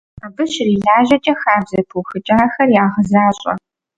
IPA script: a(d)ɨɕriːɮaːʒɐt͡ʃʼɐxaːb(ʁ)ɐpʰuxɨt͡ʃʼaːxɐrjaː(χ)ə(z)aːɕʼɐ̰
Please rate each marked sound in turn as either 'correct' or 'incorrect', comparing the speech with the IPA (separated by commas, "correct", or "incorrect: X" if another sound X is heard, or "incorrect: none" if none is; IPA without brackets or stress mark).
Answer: incorrect: b, incorrect: z, incorrect: ʁ, correct